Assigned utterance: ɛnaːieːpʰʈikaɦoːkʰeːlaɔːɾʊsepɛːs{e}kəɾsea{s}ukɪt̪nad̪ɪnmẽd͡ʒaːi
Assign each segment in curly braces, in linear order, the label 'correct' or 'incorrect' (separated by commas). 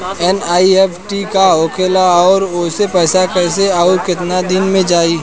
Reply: incorrect, incorrect